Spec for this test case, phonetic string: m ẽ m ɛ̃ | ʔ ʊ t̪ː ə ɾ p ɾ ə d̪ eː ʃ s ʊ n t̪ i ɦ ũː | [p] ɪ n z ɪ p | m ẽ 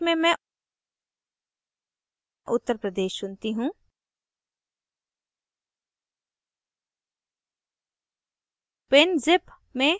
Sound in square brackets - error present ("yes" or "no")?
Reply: no